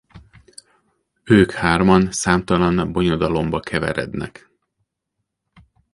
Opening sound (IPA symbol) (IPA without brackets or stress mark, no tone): øː